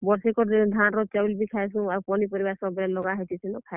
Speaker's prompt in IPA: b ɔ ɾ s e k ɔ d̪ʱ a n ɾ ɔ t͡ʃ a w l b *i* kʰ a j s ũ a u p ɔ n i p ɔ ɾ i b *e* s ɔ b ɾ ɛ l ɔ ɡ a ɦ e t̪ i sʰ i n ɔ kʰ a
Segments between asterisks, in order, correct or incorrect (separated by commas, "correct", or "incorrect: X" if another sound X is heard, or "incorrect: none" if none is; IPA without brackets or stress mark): correct, incorrect: a